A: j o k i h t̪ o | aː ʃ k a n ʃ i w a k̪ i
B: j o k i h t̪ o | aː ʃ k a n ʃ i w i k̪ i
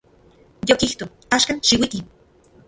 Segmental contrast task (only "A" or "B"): B